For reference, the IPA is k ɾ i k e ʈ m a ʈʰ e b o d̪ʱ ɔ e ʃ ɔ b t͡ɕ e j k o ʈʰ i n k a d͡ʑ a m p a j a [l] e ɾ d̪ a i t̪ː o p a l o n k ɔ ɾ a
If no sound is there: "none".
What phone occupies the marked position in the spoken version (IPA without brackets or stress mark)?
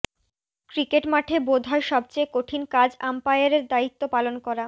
ɾ